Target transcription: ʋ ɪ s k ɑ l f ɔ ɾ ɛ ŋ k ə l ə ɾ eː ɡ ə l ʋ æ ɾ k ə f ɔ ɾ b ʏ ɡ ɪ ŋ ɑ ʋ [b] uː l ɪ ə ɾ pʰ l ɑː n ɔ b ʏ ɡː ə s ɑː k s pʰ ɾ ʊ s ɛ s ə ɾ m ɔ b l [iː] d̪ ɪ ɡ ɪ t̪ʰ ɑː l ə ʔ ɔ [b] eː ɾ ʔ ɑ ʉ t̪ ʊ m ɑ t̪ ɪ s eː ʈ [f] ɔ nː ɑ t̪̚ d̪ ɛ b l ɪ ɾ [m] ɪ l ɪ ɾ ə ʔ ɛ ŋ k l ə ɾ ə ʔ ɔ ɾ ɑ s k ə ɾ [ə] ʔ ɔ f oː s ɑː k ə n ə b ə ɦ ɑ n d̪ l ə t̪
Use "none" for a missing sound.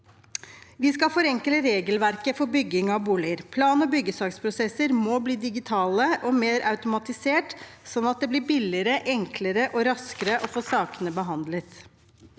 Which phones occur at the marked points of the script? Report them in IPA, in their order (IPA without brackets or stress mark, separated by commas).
b, iː, m, s, b, ə